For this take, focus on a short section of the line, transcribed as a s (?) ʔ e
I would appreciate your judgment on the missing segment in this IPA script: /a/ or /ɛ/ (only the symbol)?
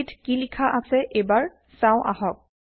ɛ